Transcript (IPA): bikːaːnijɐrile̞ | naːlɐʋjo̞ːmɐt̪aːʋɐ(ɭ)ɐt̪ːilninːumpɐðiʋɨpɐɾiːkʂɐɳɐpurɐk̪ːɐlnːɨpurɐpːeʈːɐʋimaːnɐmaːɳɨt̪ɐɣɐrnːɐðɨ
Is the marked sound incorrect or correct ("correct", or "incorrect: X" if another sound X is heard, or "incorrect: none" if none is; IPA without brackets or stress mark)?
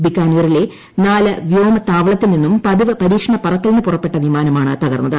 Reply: correct